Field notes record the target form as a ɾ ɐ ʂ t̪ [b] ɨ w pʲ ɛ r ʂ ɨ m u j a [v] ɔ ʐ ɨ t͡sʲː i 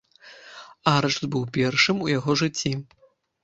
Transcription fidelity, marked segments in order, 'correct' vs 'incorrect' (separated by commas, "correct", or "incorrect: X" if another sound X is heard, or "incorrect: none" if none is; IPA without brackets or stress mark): correct, incorrect: ɣ